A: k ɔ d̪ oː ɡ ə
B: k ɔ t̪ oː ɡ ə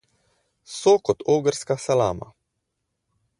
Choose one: B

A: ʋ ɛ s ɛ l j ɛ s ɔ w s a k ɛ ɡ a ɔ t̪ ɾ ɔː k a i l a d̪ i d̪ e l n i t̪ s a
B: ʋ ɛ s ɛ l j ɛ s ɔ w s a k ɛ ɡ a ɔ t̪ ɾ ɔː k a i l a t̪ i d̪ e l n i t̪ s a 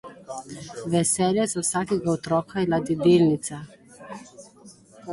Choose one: A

